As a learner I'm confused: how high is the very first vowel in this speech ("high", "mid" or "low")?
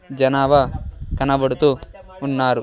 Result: low